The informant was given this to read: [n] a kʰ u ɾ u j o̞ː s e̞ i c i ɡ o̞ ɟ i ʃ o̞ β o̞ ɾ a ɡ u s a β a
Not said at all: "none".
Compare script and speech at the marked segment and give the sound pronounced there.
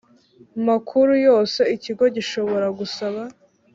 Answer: m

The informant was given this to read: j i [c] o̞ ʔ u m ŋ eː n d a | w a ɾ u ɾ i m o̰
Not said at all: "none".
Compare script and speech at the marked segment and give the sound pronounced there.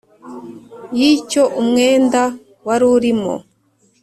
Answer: c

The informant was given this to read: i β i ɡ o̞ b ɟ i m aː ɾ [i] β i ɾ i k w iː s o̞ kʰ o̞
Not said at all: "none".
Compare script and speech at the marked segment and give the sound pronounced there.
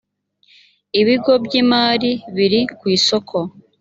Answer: i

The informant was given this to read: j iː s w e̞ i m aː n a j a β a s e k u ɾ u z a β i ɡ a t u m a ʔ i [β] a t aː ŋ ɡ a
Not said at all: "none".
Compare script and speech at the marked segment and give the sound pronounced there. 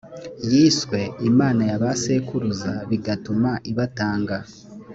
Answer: β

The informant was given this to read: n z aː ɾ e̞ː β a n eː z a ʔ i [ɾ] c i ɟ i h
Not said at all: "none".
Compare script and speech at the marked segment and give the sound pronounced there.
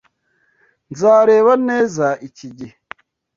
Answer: none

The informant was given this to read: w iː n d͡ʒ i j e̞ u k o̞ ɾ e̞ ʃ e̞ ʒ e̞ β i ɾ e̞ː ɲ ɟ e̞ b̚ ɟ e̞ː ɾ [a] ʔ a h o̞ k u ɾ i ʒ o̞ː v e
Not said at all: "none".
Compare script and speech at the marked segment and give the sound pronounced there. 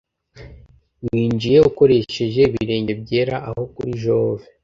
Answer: a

